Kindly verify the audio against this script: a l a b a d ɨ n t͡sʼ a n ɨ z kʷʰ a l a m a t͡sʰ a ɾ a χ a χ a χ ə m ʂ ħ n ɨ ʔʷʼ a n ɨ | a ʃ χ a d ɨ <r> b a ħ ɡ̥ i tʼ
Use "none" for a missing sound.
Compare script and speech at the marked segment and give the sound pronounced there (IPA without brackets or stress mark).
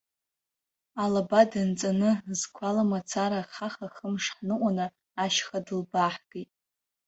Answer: l